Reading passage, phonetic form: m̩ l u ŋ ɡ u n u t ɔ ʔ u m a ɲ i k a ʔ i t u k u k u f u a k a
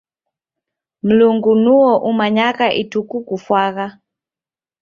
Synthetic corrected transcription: m̩ l u ŋ ɡ u n u ɔ ʔ u m a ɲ a k a ʔ i t u k u k u f w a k a